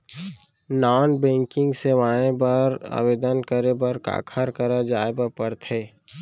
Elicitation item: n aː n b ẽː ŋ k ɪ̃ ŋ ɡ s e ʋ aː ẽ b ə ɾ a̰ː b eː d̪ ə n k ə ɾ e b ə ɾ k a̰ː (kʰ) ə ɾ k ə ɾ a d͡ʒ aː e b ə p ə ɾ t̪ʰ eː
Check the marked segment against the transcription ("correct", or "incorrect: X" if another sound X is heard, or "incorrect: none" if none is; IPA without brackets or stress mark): correct